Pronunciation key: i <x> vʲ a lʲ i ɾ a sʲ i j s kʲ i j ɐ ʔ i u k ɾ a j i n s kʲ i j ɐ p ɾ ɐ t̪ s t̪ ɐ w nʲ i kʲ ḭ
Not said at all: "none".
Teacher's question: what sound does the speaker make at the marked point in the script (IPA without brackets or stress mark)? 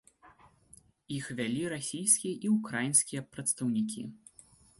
x